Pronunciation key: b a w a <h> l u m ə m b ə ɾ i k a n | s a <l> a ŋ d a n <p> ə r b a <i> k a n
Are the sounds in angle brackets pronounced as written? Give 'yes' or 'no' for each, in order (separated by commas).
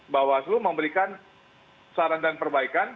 no, no, yes, yes